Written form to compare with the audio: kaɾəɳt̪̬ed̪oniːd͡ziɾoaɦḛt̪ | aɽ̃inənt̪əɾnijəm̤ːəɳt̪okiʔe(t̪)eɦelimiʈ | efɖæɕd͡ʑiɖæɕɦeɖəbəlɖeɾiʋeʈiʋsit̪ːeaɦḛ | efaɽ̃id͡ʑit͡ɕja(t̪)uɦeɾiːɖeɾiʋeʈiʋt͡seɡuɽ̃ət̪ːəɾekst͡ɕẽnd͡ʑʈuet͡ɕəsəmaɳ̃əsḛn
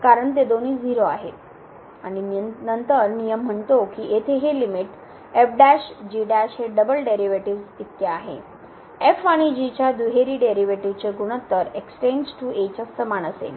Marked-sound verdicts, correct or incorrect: incorrect, incorrect

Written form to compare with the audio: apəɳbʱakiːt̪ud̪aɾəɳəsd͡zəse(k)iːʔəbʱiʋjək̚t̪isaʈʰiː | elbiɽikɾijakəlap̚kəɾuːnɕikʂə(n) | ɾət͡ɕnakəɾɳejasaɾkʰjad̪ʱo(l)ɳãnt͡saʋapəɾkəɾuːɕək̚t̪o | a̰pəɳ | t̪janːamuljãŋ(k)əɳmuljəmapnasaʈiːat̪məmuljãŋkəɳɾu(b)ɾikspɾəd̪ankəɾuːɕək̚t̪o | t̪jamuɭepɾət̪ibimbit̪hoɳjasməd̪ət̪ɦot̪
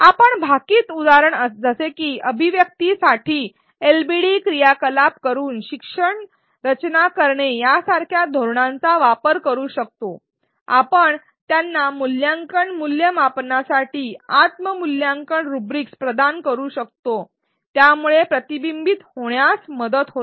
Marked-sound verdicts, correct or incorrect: correct, incorrect, incorrect, correct, correct

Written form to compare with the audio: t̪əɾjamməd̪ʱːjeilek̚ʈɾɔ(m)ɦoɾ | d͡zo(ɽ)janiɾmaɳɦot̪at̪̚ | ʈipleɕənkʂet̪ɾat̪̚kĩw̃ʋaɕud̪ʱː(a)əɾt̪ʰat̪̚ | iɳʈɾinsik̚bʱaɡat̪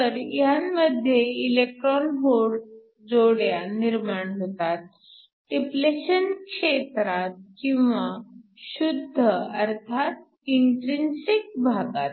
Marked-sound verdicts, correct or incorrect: incorrect, correct, incorrect

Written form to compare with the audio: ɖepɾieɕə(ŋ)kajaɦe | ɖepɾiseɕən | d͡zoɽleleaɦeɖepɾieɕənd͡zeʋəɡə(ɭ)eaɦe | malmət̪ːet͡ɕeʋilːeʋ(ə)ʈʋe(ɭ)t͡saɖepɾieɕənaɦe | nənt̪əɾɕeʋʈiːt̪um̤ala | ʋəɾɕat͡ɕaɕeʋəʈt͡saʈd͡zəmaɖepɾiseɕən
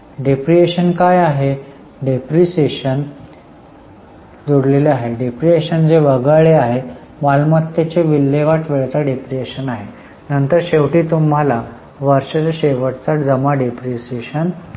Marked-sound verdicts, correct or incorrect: incorrect, correct, incorrect, correct

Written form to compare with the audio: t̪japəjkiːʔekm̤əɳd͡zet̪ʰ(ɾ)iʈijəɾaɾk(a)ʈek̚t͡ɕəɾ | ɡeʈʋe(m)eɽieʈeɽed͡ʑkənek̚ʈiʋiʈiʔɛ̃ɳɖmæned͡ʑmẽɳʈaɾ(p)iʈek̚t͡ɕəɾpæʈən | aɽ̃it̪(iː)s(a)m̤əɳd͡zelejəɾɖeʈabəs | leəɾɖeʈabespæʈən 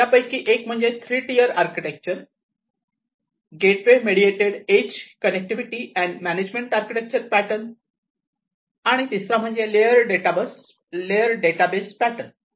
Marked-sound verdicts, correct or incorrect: correct, incorrect, correct, incorrect, incorrect, correct

